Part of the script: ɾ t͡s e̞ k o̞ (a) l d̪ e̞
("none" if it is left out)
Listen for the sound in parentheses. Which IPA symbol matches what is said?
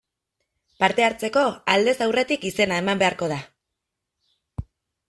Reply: a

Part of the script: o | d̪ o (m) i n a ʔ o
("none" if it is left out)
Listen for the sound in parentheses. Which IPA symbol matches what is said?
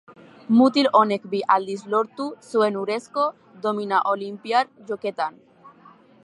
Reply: m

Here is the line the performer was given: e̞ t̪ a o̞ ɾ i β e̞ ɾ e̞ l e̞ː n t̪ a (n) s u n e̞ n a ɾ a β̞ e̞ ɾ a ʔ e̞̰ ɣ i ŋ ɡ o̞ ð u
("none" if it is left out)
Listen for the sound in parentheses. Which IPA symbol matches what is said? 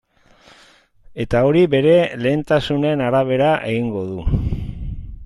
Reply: none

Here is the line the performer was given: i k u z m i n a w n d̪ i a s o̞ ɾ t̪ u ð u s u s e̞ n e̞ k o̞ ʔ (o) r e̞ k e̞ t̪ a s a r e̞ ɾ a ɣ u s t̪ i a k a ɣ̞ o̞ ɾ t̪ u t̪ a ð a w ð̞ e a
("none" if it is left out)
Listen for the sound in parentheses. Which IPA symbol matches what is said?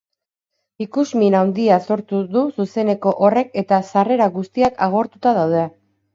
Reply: o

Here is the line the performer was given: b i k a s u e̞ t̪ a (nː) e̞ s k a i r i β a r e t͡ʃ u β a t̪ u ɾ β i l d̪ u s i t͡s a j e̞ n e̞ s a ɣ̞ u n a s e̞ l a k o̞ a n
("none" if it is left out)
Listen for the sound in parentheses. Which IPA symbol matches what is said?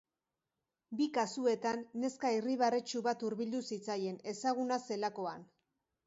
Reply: nː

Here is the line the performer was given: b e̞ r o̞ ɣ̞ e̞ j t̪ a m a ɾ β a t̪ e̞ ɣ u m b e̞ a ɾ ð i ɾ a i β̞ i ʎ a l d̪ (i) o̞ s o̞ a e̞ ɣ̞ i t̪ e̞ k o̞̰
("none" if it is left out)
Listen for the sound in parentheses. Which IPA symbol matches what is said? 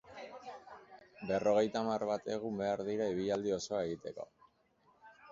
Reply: i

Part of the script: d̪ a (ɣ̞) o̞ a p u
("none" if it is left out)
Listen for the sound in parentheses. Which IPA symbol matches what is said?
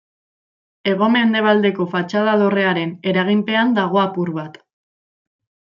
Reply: ɣ̞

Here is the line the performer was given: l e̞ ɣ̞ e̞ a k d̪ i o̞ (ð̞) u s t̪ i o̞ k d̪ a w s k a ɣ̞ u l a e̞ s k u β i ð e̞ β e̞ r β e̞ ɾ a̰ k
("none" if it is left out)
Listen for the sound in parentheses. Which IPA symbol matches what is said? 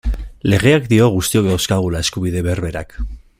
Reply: ɣ̞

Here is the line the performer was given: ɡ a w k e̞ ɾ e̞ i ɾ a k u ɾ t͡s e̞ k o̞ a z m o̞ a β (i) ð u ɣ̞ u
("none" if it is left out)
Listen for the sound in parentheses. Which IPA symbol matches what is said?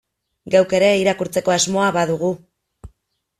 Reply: a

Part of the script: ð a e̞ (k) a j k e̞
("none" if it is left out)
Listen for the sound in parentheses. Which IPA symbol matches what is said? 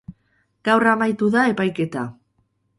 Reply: p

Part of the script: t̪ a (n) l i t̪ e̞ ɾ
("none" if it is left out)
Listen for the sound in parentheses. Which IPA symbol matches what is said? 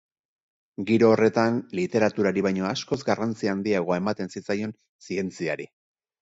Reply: n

